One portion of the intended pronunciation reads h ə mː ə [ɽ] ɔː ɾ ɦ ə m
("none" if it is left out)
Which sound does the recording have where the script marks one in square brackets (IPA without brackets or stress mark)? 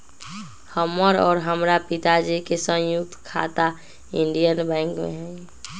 ɾ